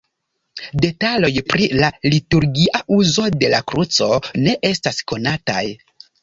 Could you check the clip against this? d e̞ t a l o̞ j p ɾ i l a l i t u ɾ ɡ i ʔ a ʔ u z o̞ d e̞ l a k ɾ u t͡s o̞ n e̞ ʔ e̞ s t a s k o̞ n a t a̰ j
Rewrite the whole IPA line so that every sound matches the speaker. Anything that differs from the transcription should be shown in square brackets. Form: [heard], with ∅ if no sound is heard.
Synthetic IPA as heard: d e̞ t a l o̞ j p ɾ i l a l i t u ɾ ɡ i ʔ a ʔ u z o̞ d e̞ l a k ɾ u t͡s o̞ n e̞ ʔ e̞ s t a s k o̞ n a t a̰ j

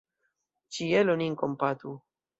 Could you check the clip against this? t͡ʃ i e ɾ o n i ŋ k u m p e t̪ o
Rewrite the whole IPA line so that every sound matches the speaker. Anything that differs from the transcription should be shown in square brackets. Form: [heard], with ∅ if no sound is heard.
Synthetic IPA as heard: t͡ʃ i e [l] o n i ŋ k [o] m p [a] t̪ [u]

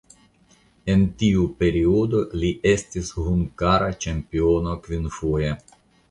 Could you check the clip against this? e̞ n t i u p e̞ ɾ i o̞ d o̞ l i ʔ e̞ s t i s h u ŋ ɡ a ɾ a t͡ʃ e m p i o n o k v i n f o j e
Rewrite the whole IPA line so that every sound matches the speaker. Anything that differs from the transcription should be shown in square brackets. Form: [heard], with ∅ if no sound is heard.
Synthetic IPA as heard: e̞ n t i u p e̞ ɾ i o̞ d o̞ l i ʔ e̞ s t i s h u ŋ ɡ a ɾ a t͡ʃ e m p i o n o k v i n f o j e

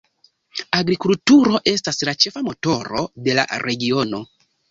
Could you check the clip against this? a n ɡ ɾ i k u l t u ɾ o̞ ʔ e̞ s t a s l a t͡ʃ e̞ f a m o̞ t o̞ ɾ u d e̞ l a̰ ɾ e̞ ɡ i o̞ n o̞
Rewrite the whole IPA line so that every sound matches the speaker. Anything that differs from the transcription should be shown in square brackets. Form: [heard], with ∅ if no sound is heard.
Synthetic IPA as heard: a [∅] ɡ ɾ i k u l t u ɾ o̞ ʔ e̞ s t a s l a t͡ʃ e̞ f a m o̞ t o̞ ɾ [o] d e̞ l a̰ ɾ e̞ ɡ i o̞ n o̞

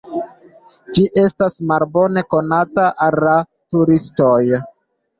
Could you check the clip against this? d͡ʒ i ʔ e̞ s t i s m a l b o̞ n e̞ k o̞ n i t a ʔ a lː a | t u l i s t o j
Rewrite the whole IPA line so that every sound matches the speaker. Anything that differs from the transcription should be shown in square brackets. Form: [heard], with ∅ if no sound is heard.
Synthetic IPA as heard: d͡ʒ i ʔ e̞ s t [a] s m a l b o̞ n e̞ k o̞ n [a] t a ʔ a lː a | t u [ɾ] i s t o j

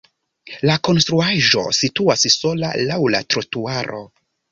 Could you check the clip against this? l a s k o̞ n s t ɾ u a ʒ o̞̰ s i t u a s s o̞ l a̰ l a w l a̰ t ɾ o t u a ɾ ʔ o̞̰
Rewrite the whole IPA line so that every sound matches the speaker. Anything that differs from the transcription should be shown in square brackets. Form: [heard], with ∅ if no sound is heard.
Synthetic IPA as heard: l a [∅] k o̞ n s t ɾ u a ʒ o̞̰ s i t u a s s o̞ l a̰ l a w l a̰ t ɾ o t u a ɾ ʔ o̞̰

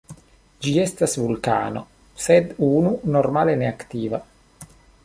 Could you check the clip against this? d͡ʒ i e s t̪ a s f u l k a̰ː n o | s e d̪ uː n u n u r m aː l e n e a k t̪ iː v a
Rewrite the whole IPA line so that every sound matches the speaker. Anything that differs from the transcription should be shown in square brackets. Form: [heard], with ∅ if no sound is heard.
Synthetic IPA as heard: d͡ʒ i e s t̪ a s [v] u l k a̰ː n o | s e d̪ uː n u n [o] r m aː l e n e a k t̪ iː v a

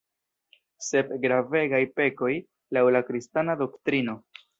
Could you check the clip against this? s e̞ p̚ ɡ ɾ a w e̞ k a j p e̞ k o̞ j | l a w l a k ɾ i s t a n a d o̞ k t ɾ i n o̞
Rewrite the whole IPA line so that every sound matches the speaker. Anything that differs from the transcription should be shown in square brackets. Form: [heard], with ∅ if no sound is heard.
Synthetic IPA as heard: s e̞ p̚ ɡ ɾ a [v] e̞ [ɡ] a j p e̞ k o̞ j | l a w l a k ɾ i s t a n a d o̞ k t ɾ i n o̞

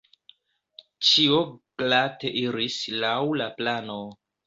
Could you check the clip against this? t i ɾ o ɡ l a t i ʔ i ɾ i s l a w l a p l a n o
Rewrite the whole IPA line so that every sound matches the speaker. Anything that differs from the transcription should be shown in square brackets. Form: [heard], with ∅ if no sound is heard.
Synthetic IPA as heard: [t͡ʃ] i [∅] o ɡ l a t [e] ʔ i ɾ i s l a w l a p l a n o

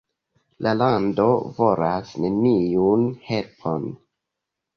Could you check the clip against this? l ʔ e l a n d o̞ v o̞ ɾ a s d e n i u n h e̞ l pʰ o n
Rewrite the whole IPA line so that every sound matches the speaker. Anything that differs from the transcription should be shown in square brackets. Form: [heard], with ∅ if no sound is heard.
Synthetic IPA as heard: l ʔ [a] l a n d o̞ v o̞ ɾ a s [n] e n i u n h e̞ l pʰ o n

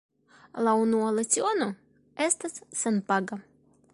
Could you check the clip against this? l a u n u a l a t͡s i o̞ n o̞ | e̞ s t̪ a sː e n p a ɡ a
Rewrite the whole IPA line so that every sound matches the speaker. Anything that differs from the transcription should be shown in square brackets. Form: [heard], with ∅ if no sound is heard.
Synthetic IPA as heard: l a u n u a l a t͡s i o̞ n o̞ | e̞ s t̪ a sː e n p a ɡ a

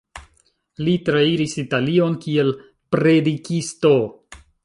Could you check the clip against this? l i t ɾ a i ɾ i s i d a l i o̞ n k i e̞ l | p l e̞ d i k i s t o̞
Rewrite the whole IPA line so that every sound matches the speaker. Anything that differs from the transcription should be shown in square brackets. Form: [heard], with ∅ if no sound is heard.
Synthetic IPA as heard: l i t ɾ a i ɾ i s i [t] a l i o̞ n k i e̞ l | p [ɾ] e̞ d i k i s t o̞

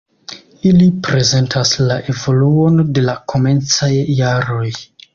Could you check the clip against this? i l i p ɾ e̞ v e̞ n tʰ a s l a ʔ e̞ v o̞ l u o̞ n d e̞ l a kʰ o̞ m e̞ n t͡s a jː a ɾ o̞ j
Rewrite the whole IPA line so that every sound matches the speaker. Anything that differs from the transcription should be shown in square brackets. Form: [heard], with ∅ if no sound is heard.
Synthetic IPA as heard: i l i p ɾ e̞ [z] e̞ n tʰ a s l a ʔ e̞ v o̞ l u o̞ n d e̞ l a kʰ o̞ m e̞ n t͡s a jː a ɾ o̞ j

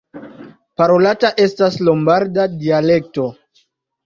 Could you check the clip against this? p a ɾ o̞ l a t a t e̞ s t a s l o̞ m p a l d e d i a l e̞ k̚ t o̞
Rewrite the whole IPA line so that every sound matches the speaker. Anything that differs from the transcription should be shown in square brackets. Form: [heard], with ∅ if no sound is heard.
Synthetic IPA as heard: p a ɾ o̞ l a t a [ʔ] e̞ s t a s l o̞ m [b] a [ɾ] d [a] d i a l e̞ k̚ t o̞

